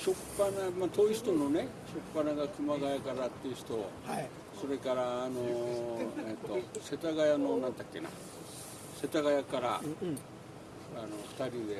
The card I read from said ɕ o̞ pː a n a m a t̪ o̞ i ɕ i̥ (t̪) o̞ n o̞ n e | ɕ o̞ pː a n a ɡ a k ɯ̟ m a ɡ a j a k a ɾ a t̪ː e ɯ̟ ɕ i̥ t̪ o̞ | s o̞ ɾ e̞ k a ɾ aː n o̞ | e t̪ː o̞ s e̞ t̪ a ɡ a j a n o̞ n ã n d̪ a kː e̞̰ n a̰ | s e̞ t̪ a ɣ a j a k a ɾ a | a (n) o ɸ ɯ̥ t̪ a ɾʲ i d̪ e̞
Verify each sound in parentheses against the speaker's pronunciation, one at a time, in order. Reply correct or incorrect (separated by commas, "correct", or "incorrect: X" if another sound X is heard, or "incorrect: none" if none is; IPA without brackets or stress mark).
correct, correct